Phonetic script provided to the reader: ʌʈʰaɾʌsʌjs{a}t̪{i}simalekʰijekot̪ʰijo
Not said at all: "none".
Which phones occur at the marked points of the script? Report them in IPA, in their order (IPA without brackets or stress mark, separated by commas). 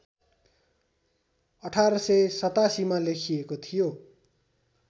ʌ, a